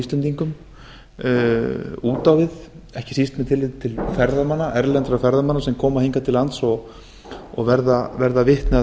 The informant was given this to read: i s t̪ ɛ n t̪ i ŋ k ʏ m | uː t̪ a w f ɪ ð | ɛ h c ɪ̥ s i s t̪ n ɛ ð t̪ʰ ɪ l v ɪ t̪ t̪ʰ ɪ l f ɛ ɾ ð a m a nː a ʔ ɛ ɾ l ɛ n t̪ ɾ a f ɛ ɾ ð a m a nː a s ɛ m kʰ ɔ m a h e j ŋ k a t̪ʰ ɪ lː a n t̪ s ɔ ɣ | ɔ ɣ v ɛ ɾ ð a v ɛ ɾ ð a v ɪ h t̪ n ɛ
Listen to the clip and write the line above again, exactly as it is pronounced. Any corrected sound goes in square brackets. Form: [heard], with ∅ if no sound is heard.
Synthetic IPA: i s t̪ ɛ n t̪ i ŋ k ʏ m | uː t̪ a w [v] ɪ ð | ɛ h c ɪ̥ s i s t̪ [m] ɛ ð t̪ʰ ɪ l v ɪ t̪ t̪ʰ ɪ l f ɛ ɾ ð a m a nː a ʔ ɛ ɾ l ɛ n t̪ ɾ a f ɛ ɾ ð a m a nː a s ɛ m kʰ [ɔː] m a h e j ŋ k a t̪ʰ ɪ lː a n t̪ s ɔ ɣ | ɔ ɣ v ɛ ɾ ð a v ɛ ɾ ð a v ɪ h t̪ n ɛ